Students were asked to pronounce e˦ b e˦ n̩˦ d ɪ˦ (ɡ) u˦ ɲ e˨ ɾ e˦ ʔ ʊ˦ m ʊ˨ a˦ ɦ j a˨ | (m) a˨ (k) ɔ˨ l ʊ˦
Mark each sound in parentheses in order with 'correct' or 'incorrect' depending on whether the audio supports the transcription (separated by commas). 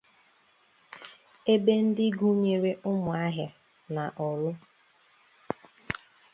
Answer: correct, incorrect, incorrect